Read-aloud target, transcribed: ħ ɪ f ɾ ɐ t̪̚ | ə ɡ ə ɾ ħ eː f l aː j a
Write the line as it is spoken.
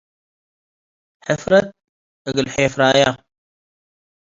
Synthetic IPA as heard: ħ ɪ f ɾ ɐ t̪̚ | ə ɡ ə l ħ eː f ɾ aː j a